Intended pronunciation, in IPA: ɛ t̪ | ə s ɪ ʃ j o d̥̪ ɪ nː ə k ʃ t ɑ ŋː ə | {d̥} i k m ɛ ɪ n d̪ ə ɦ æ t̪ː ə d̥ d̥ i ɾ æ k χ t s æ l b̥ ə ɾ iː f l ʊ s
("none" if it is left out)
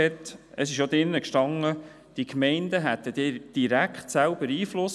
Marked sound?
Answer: d̥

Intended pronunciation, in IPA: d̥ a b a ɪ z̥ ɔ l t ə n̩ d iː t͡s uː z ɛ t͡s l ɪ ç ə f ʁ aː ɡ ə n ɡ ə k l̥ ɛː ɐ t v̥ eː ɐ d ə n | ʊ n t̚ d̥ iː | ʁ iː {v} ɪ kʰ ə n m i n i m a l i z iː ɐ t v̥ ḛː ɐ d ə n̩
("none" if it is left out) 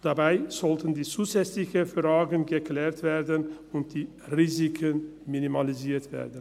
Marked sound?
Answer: z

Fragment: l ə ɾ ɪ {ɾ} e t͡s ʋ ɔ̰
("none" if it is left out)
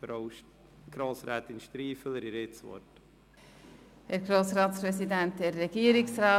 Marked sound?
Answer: ɾ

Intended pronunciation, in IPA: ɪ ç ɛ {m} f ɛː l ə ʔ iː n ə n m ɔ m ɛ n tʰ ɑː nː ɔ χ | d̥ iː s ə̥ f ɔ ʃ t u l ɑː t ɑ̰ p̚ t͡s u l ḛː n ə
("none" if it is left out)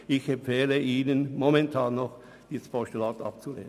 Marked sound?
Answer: m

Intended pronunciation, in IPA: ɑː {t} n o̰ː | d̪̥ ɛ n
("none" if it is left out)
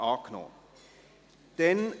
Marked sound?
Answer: k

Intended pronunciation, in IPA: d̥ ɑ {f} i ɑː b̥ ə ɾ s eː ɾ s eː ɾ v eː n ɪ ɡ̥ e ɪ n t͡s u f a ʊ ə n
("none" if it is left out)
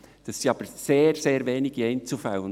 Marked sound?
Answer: s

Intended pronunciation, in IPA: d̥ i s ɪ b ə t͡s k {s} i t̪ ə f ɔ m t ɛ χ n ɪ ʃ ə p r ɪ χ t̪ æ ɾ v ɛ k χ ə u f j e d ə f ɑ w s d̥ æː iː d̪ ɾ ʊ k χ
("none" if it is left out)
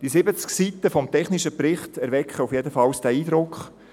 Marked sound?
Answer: s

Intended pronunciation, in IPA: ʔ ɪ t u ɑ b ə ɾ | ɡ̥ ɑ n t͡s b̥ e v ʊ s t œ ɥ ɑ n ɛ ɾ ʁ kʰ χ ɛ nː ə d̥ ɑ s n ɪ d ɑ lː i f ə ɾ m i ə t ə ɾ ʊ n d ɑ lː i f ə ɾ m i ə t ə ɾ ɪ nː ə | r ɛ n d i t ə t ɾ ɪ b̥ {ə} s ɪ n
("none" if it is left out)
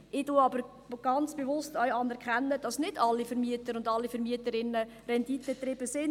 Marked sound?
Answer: ə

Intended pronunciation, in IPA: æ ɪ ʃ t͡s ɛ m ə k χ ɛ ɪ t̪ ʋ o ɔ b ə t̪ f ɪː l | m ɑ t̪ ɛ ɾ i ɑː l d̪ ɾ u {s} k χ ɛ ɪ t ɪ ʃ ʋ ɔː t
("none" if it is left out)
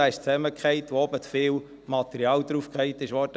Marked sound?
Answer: f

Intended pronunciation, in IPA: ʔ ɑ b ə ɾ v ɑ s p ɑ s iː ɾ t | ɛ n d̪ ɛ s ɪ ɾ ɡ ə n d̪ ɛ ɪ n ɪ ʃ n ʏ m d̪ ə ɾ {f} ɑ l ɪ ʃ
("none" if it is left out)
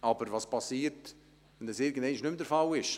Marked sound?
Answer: f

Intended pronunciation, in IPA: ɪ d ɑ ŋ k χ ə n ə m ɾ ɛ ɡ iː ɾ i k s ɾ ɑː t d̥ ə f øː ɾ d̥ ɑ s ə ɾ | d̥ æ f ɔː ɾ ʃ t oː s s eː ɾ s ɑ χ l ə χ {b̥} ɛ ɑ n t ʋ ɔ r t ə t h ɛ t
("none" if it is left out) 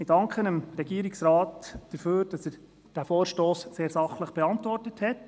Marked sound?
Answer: b̥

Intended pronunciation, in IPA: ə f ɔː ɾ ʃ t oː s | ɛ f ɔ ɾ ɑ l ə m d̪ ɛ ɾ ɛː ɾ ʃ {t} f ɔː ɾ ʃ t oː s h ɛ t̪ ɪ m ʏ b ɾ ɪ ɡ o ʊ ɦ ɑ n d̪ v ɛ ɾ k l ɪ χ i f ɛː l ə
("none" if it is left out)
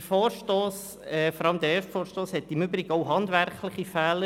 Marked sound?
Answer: t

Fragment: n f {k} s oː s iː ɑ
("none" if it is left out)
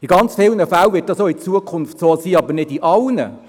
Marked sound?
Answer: t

